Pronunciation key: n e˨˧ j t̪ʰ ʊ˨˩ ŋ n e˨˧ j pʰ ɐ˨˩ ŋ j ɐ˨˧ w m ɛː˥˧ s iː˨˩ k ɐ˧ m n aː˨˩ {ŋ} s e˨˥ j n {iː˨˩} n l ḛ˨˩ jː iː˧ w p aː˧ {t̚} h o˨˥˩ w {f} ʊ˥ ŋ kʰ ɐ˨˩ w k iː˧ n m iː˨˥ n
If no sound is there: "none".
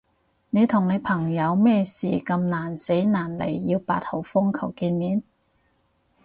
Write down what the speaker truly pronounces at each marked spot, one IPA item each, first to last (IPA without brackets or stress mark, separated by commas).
n, aː˨˩, t̚, f